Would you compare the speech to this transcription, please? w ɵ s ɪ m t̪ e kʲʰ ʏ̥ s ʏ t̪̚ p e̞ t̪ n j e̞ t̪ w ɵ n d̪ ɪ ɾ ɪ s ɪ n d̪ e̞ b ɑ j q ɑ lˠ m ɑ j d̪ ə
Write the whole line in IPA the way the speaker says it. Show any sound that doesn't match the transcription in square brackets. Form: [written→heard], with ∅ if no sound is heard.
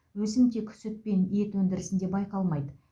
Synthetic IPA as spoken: w ɵ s ɪ m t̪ e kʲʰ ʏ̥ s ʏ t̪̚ p e̞ [t̪→∅] n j e̞ t̪ w ɵ n d̪ ɪ ɾ ɪ s ɪ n d̪ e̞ b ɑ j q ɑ lˠ m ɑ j d̪ ə